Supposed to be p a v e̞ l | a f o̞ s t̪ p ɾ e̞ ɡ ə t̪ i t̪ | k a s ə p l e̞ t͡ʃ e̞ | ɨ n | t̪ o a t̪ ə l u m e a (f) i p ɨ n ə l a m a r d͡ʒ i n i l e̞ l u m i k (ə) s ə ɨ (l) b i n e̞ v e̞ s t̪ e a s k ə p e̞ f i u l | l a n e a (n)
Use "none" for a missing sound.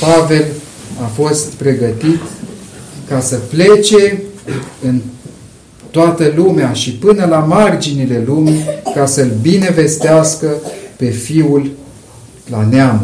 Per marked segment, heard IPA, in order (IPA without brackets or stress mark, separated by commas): ʃ, a, l, m